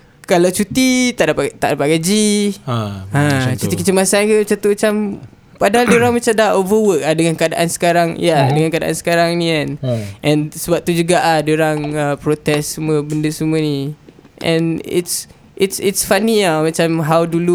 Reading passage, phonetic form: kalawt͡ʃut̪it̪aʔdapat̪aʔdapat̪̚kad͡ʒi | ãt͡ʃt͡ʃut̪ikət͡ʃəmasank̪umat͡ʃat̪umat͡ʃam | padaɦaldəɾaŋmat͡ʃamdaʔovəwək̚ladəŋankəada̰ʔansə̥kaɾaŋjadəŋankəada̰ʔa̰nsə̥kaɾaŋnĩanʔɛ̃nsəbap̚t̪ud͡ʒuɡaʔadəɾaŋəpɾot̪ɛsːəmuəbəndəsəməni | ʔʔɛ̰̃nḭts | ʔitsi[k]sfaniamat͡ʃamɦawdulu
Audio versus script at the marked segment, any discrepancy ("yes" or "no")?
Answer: yes